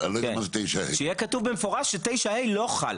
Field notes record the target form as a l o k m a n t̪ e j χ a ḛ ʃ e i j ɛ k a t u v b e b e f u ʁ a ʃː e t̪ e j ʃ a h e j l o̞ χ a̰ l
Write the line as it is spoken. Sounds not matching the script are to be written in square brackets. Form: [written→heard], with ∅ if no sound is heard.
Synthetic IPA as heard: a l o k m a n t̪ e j [χ→ʃ] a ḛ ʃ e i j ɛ k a t u v b e [b→m] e f [u→o] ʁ a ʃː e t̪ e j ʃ a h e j l o̞ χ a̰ l

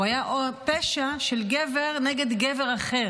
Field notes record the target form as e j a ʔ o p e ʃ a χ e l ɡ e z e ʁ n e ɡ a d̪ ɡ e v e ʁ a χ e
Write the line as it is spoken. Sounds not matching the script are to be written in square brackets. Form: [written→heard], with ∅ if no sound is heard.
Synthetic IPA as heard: [e→a] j a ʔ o p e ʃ a [χ→ʃ] e l ɡ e [z→v] e ʁ n e ɡ [a→e] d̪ ɡ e v e ʁ a χ e

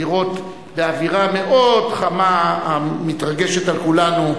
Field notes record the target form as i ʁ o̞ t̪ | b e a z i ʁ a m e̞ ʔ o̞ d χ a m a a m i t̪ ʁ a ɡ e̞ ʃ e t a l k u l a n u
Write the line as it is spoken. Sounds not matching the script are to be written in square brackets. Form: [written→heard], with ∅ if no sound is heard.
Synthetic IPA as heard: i ʁ o̞ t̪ | b e a [z→v] i ʁ a m e̞ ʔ o̞ d χ a m a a m i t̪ ʁ a ɡ e̞ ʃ e t a l k u l a n u

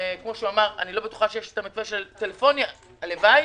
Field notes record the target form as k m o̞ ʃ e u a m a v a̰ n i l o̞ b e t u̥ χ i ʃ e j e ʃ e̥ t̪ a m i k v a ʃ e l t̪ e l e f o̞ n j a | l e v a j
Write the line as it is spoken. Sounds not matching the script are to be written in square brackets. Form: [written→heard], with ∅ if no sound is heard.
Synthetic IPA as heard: k m o̞ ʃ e u a m a [v→ʁ] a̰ n i l o̞ b e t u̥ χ [i→a] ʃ e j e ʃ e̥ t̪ a m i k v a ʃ e l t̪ e l e f o̞ n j a | l e v a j

